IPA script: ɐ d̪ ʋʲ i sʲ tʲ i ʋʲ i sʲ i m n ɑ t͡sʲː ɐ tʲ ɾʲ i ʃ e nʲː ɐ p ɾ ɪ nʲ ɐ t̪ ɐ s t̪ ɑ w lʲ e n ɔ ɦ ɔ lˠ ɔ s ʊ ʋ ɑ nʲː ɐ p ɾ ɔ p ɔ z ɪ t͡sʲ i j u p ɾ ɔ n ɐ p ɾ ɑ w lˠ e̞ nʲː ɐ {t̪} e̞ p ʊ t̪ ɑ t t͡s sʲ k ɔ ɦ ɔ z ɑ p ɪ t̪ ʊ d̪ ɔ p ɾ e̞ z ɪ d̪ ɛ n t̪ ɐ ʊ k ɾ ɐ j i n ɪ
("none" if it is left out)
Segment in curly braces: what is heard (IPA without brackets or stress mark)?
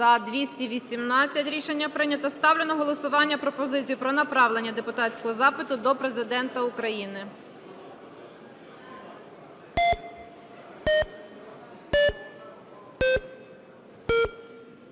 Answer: d̪